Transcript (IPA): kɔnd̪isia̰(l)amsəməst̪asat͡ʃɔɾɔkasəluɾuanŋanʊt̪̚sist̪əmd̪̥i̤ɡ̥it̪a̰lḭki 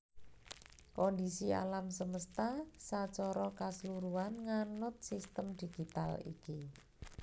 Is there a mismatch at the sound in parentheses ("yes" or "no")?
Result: no